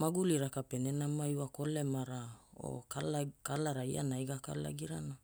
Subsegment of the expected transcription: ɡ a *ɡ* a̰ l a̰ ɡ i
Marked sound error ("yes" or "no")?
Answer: yes